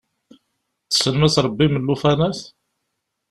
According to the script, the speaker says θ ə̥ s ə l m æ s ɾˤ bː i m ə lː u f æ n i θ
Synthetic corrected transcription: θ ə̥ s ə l m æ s ɾˤ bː i m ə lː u f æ n æ θ